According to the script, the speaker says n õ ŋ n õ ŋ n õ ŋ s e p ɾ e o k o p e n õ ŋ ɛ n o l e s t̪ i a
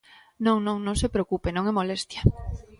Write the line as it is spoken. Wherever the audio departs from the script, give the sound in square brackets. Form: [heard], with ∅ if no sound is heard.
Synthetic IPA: n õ ŋ n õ ŋ n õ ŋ s e p ɾ e o k [u] p e n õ ŋ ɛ [m] o l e s t̪ [j] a